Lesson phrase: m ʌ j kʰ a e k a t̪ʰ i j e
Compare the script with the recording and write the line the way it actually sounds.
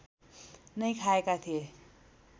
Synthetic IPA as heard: n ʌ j kʰ a e k a t̪ʰ i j e